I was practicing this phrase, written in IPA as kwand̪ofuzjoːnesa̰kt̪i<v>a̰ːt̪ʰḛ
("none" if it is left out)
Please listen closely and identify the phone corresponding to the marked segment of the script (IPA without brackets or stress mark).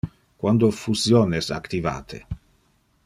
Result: v